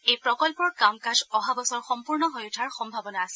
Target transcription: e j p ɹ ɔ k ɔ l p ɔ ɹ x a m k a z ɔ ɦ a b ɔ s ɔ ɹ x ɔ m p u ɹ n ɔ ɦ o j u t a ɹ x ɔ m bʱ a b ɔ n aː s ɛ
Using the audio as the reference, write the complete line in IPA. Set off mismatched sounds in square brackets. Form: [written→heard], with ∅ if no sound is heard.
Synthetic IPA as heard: e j p ɹ ɔ k ɔ l p ɔ ɹ [x→k] a m k a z ɔ ɦ a b ɔ s ɔ ɹ x ɔ m p u ɹ n ɔ ɦ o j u [t→tʰ] a ɹ x ɔ m bʱ a b ɔ n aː s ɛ